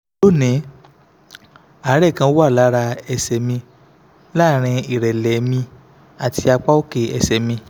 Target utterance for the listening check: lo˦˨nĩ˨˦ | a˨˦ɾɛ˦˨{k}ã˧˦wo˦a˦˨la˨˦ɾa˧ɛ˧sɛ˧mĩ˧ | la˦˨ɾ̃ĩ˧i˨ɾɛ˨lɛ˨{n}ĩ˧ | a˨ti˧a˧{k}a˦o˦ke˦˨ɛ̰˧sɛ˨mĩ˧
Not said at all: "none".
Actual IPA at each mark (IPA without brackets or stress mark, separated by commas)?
k, m, k͡p